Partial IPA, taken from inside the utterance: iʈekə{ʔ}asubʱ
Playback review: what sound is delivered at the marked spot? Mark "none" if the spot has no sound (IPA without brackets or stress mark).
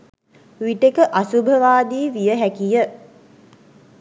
ʔ